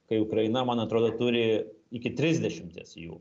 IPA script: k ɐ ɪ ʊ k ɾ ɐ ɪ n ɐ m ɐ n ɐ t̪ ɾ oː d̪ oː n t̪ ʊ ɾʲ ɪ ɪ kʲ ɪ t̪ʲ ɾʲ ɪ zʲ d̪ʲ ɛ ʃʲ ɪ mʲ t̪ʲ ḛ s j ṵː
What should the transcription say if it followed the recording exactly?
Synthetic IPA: k ɐ ɪ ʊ k ɾ ɐ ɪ n ɐ m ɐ n ɐ t̪ ɾ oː d̪ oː t̪ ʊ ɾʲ ɪ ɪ kʲ ɪ t̪ʲ ɾʲ ɪ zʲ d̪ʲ ɛ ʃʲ ɪ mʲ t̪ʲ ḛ s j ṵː